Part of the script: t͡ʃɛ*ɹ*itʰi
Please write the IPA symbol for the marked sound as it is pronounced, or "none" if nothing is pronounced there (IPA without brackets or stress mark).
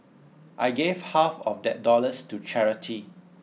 ɹ